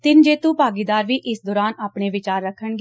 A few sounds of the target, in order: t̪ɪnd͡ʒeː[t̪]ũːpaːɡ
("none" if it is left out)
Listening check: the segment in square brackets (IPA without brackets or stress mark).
t̪